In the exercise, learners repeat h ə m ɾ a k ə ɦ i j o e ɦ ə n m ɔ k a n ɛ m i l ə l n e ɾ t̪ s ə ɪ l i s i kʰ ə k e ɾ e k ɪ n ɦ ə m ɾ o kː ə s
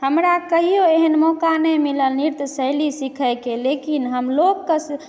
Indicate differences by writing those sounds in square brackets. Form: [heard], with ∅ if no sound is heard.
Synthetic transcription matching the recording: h ə m ɾ a k ə ɦ i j o e ɦ ə n m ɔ k a n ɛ m i l ə l n [i] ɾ t̪ s ə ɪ l i s i kʰ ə k e [l] e k [i] n ɦ ə m [l] o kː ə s